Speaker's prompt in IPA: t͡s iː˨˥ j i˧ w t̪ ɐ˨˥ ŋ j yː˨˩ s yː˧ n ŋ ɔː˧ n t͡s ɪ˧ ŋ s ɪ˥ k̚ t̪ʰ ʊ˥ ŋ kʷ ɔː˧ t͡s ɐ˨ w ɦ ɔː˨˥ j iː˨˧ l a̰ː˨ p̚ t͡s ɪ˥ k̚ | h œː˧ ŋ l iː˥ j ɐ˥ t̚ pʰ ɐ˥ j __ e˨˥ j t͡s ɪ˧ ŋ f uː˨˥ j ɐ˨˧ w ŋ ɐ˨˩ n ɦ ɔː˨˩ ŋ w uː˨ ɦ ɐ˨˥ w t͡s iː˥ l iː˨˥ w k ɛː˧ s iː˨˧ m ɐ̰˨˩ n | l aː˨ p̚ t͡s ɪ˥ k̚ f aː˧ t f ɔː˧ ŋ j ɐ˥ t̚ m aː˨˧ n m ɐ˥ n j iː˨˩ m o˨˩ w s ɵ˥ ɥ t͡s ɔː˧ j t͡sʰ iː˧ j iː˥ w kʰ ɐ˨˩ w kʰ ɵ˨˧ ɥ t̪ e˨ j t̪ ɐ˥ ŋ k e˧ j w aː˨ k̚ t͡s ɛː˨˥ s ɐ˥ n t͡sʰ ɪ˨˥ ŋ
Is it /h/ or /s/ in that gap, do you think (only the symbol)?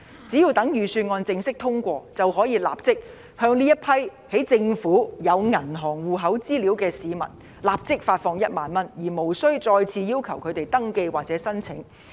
h